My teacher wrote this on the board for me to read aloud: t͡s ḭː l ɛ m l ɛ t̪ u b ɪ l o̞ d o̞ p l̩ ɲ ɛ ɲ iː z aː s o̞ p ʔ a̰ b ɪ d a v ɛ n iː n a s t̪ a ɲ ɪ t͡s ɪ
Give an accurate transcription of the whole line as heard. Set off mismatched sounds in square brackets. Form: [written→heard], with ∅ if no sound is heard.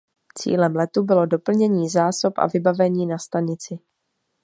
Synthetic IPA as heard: t͡s ḭː l ɛ m l ɛ t̪ u b ɪ l o̞ d o̞ p l̩ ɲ ɛ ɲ iː z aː s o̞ p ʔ a̰ [b→v] ɪ [d→b] a v ɛ [n→ɲ] iː n a s t̪ a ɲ ɪ t͡s ɪ